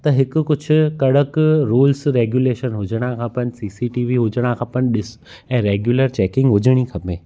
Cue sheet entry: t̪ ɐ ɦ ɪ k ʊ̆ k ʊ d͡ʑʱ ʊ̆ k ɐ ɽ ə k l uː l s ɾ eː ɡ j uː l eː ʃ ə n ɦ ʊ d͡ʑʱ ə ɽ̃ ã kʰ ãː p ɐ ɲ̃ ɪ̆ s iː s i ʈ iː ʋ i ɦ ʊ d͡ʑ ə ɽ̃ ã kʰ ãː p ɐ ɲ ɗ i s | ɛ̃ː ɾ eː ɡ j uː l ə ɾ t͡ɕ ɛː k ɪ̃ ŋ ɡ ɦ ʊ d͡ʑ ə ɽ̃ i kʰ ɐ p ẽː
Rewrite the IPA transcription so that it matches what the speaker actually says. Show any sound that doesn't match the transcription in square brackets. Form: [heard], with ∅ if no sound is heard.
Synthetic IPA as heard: t̪ ɐ ɦ ɪ k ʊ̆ k ʊ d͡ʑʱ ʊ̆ k ɐ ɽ ə k [ɾ] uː l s ɾ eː ɡ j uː l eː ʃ ə n ɦ ʊ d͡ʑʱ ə ɽ̃ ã kʰ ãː p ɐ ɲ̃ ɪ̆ s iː s i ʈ iː ʋ i ɦ ʊ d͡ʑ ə ɽ̃ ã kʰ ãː p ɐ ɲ ɗ [ɪ] s | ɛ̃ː ɾ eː ɡ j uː l ə ɾ t͡ɕ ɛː k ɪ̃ ŋ ɡ ɦ ʊ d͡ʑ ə ɽ̃ i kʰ ɐ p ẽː